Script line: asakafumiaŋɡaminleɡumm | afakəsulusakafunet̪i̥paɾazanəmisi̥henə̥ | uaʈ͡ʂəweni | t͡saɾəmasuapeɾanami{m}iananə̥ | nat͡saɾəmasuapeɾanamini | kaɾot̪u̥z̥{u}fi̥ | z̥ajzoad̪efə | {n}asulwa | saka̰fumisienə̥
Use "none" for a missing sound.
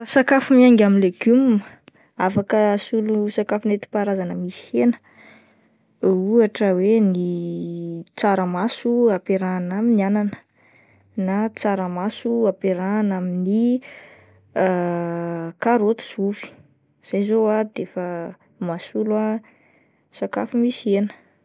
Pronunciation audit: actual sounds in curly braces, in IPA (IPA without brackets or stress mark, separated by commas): n, u, m